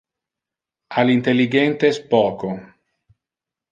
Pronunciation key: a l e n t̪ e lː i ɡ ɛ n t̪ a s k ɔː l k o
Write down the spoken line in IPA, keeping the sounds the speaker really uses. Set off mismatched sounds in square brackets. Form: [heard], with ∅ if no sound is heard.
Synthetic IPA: a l [i] n t̪ e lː i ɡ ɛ n t̪ [e] s [p] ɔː [∅] k o